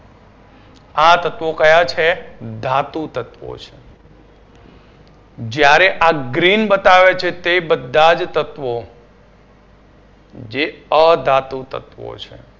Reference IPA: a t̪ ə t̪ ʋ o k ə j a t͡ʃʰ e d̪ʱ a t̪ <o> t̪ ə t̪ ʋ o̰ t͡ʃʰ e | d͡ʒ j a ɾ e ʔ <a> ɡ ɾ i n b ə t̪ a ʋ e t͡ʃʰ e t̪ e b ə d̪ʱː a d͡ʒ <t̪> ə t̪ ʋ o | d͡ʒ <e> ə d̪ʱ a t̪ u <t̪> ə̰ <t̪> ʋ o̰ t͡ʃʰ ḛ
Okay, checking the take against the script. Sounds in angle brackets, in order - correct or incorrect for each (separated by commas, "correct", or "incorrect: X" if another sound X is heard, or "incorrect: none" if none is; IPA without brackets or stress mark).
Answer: incorrect: u, correct, correct, correct, correct, correct